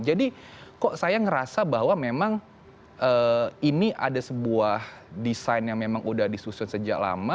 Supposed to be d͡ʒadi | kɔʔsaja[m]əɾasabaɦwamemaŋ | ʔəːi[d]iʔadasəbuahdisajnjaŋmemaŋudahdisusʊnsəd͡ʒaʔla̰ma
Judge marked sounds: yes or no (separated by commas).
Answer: no, no